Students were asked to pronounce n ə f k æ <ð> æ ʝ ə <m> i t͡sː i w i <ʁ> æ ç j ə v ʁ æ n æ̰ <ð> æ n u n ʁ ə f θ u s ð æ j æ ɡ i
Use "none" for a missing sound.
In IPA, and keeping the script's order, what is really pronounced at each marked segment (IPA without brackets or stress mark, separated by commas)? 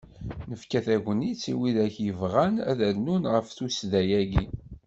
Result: θ, n, ð, ð